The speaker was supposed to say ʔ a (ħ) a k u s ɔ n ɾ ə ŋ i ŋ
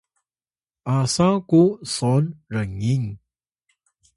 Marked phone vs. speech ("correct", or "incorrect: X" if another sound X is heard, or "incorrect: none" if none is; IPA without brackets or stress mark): incorrect: s